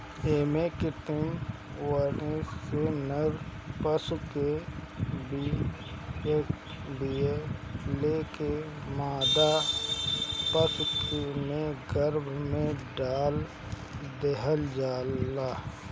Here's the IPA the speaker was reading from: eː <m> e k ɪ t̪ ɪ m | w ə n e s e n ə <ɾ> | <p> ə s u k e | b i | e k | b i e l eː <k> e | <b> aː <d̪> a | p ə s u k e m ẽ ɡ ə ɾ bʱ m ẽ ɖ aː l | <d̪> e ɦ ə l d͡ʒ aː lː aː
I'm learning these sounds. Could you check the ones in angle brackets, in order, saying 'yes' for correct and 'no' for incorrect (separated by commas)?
yes, yes, yes, yes, no, yes, yes